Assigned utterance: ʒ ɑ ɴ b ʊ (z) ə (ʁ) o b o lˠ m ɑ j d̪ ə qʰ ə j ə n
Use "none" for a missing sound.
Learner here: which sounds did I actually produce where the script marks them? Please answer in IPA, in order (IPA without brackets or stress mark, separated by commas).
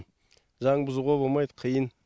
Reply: z, ʁ